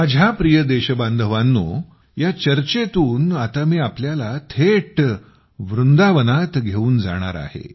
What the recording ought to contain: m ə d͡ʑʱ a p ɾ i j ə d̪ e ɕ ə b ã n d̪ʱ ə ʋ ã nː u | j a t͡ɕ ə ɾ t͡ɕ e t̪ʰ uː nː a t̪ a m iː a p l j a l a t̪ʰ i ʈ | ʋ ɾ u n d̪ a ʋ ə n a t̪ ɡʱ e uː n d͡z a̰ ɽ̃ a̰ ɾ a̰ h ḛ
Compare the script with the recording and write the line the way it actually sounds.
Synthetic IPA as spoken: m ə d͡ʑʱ a p ɾ i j ə d̪ e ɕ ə b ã n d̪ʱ ə ʋ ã nː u | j a t͡ɕ ə ɾ t͡ɕ e t̪ uː n a t̪ a m iː a p l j a l a t̪ʰ e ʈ | ʋ ɾ u n d̪ a ʋ ə n a t̪ ɡʱ e uː n d͡z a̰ ɽ̃ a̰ ɾ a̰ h ḛ